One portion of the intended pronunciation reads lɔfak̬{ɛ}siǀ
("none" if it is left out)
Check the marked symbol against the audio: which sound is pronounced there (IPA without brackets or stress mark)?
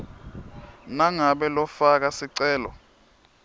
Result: a